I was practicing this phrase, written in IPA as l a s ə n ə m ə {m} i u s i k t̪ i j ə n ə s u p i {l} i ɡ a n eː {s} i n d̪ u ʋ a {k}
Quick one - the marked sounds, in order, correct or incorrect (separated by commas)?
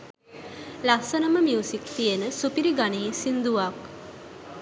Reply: correct, incorrect, correct, correct